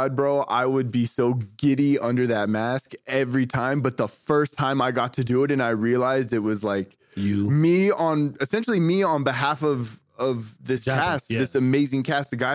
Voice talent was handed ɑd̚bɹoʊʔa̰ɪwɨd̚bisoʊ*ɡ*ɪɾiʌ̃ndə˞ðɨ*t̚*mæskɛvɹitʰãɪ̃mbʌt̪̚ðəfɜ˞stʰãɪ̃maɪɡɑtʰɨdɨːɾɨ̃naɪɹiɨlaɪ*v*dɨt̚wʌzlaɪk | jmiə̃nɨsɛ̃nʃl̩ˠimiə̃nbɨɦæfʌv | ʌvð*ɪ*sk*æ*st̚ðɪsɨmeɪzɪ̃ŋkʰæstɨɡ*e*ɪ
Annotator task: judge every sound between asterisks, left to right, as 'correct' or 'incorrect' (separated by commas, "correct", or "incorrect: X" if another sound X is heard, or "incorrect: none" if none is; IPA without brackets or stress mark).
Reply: correct, correct, incorrect: z, correct, correct, incorrect: a